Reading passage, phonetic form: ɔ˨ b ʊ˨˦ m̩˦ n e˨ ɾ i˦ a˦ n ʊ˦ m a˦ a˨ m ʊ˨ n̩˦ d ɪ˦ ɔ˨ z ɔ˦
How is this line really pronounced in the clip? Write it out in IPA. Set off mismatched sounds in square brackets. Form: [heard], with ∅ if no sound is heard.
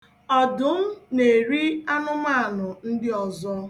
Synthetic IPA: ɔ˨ [d] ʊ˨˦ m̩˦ n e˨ ɾ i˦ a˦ n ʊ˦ m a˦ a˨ [n] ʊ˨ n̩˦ d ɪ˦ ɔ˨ z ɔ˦